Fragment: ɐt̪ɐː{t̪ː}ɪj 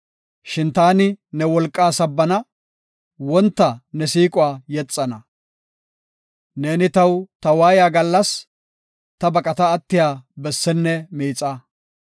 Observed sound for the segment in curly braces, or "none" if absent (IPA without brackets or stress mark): t̪ː